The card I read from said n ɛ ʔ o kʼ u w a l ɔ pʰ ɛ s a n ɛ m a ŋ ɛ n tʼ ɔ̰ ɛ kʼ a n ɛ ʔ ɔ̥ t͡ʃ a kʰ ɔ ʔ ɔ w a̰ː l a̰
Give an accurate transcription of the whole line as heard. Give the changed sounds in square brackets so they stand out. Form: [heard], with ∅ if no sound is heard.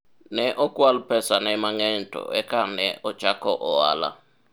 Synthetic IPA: n ɛ ʔ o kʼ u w a l [u] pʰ ɛ s a n ɛ m a ŋ ɛ n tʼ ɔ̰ ɛ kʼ a n ɛ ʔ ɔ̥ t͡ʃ a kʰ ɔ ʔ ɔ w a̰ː l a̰